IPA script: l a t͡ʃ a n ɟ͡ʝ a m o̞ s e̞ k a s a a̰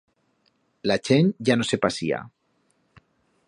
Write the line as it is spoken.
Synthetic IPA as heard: l a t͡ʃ e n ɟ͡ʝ a n o̞ s e̞ p a s i a̰